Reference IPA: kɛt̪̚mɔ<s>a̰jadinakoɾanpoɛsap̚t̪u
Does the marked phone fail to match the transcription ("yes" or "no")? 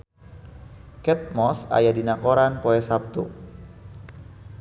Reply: no